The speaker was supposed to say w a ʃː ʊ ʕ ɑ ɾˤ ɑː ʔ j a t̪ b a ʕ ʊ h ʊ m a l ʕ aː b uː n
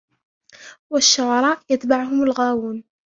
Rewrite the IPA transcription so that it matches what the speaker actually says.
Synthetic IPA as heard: w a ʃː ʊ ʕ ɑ ɾˤ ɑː ʔ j a t̪ b a ʕ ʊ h ʊ m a l ɣ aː w uː n